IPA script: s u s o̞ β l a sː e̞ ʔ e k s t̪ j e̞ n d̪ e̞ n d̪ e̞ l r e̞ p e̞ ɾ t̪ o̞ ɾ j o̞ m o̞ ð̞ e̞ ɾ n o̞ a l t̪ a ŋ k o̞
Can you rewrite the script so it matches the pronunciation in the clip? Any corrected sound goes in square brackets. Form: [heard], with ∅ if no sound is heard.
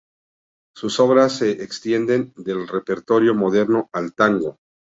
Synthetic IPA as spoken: s u s o̞ β [ɾ] a sː e̞ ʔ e k s t̪ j e̞ n d̪ e̞ n d̪ e̞ l r e̞ p e̞ ɾ t̪ o̞ ɾ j o̞ m o̞ ð̞ e̞ ɾ n o̞ a l t̪ a ŋ [ɡ] o̞